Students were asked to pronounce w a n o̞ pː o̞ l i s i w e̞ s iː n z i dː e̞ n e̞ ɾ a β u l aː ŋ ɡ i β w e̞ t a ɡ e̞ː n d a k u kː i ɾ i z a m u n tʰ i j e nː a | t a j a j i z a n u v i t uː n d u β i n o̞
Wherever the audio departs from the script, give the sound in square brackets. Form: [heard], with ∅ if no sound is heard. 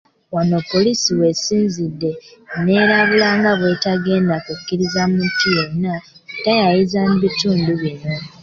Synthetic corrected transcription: w a n o̞ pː o̞ l i s i w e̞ s iː n z i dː e̞ n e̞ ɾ a β u l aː ŋ ɡ [a] β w e̞ t a ɡ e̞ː n d a k u kː i ɾ i z a m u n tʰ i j e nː a | t a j a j i z a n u [β] i t uː n d u β i n o̞